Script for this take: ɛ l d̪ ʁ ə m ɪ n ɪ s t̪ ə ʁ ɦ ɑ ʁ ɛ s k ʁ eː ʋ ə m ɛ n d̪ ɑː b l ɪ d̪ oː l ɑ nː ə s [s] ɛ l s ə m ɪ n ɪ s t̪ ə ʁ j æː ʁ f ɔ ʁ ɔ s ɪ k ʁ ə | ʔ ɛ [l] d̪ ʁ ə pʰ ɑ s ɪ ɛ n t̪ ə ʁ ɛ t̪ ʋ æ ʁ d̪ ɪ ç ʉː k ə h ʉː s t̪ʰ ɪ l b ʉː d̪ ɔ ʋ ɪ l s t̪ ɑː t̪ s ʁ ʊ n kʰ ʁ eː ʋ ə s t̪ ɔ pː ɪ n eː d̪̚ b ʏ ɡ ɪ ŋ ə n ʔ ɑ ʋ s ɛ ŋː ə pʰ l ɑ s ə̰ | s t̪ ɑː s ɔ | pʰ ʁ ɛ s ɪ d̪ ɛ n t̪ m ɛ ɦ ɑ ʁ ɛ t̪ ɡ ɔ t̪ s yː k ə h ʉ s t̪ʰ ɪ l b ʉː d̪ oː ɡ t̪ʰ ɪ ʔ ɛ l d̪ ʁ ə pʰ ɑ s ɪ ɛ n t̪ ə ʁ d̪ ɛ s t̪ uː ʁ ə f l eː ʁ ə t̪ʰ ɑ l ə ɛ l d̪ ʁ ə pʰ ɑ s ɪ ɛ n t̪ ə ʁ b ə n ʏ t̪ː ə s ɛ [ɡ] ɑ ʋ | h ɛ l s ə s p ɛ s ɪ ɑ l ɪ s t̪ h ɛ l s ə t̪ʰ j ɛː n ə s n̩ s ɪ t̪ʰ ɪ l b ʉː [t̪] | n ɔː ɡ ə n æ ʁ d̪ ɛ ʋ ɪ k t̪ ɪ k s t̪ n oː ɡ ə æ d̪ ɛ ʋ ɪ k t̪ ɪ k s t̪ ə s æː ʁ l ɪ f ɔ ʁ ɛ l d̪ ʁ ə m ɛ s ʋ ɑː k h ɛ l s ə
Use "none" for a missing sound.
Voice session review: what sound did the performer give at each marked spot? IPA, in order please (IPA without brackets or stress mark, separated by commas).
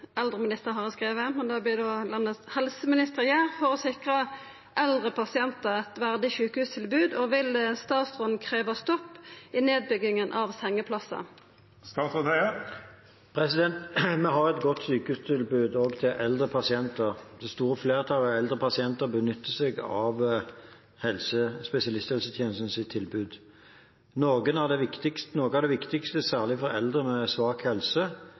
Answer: h, l, ɡ, d̪